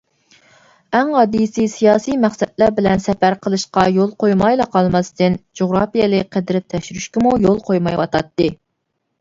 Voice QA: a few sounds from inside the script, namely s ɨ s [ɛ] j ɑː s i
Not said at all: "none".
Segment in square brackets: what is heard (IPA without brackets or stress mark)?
i